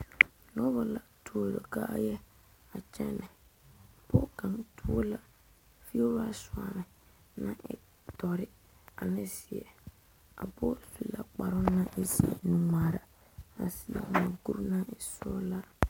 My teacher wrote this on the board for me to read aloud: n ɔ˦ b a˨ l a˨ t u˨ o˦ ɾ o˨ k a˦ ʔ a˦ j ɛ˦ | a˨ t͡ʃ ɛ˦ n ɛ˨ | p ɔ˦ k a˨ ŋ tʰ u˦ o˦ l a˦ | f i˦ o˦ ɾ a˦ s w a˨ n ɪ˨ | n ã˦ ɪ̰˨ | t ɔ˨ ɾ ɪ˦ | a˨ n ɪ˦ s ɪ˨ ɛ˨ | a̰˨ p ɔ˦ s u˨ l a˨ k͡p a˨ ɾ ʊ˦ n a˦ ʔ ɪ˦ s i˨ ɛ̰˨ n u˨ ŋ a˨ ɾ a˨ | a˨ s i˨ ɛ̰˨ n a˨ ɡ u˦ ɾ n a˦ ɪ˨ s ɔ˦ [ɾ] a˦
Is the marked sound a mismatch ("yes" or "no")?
yes